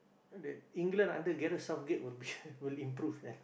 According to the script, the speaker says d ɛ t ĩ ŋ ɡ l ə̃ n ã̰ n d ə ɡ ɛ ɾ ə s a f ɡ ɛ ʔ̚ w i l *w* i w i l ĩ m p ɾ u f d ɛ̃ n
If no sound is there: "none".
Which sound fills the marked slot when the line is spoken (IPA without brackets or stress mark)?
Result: b